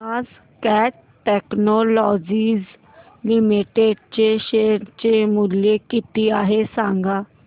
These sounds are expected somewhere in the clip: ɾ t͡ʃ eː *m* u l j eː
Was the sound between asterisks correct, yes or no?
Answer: yes